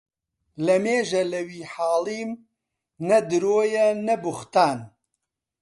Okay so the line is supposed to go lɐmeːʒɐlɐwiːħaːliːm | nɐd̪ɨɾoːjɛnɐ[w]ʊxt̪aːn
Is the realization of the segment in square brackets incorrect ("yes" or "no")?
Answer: yes